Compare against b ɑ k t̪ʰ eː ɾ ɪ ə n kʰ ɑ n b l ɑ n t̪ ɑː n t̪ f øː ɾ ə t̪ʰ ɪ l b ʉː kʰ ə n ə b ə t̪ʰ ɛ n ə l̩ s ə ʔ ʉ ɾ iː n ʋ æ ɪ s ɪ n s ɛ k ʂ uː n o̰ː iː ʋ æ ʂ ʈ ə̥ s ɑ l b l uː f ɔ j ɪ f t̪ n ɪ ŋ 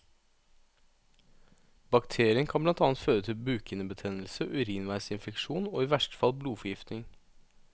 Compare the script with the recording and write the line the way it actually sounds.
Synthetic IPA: b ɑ k t̪ʰ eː ɾ ɪ ə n kʰ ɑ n b l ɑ n t̪ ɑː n t̪ f øː ɾ ə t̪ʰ ɪ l b ʉː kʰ ə n ə b ə t̪ʰ ɛ n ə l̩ s ə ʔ ʉ ɾ iː n ʋ æ ɪ s ɪ n f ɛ k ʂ uː n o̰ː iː ʋ æ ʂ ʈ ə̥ f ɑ l b l uː f ɔ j ɪ f t̪ n ɪ ŋ